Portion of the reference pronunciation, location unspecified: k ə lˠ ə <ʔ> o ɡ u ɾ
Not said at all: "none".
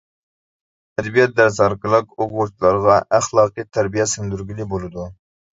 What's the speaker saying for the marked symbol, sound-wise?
q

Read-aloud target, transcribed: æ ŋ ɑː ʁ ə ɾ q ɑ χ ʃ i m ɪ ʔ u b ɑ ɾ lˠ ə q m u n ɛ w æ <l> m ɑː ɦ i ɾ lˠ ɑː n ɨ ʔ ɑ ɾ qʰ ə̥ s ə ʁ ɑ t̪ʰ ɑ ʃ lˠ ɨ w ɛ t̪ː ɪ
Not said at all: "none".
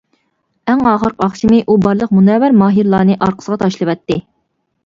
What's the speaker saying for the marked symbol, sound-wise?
ɾ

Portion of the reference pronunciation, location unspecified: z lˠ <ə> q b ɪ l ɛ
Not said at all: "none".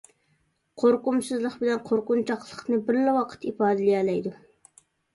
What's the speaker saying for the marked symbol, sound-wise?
ə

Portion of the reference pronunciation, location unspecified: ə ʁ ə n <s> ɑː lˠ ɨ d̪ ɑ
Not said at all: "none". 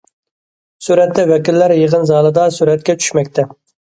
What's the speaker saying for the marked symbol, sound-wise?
z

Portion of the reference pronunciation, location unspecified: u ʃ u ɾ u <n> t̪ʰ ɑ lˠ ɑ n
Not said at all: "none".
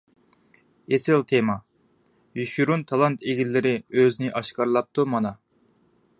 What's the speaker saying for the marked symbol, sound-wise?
n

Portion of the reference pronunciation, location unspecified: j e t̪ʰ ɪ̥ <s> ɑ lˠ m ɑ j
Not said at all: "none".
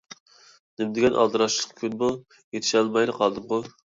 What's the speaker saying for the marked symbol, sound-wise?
ʃ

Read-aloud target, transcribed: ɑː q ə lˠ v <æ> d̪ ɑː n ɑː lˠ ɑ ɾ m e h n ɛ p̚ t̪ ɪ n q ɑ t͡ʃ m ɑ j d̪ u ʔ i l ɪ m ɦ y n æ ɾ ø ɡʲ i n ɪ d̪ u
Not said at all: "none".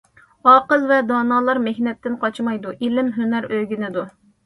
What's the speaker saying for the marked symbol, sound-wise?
ɛ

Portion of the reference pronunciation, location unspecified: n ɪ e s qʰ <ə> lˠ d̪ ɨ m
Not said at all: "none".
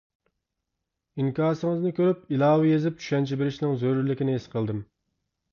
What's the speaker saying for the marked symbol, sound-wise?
ə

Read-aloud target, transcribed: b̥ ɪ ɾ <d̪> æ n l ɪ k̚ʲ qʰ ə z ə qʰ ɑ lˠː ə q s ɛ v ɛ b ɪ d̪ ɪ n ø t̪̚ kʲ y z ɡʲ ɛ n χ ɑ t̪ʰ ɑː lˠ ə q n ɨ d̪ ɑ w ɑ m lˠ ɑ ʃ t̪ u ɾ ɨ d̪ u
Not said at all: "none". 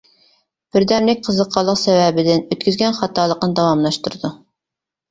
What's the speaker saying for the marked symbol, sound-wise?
d̪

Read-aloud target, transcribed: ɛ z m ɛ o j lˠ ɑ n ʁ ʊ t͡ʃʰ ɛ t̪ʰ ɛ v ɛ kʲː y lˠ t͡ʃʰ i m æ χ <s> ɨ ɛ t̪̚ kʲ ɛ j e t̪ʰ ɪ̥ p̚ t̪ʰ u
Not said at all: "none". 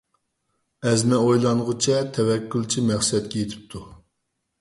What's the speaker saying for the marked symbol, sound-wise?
s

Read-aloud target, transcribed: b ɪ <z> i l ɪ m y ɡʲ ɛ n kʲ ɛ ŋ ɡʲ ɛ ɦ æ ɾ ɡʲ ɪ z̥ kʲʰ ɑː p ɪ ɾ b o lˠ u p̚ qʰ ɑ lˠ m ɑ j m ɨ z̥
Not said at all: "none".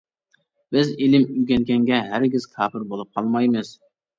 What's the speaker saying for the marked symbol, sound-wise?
z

